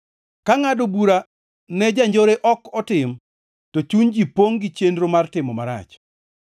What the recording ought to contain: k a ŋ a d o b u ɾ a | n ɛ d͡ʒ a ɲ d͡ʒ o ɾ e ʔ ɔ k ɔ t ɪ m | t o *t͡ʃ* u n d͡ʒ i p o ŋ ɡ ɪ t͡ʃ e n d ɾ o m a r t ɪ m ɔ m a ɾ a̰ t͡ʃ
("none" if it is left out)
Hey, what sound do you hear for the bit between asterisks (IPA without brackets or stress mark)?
t͡ʃ